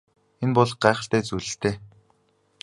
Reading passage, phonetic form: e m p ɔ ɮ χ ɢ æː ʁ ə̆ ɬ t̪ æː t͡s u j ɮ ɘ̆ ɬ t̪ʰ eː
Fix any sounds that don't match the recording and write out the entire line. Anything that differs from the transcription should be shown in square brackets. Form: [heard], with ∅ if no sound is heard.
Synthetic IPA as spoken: e [n] p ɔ ɮ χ ɢ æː [χ] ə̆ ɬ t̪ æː t͡s u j ɮ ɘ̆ ɬ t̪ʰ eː